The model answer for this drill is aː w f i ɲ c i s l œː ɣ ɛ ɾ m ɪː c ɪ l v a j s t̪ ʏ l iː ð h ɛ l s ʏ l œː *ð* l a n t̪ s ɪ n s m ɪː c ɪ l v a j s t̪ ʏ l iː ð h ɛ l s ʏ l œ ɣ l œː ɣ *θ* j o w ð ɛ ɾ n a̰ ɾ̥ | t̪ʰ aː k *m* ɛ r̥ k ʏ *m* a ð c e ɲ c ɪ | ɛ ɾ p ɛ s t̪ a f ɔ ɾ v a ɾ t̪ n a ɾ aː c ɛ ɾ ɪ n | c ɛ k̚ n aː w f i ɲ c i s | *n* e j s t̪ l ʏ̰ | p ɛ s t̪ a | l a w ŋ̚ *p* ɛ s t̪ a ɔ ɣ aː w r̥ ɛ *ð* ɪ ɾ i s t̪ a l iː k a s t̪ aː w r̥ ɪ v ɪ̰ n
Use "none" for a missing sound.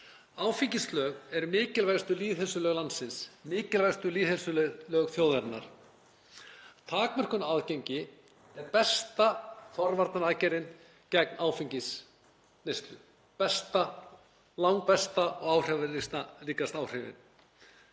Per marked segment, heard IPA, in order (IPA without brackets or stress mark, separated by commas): ɣ, θ, m, n, n, p, v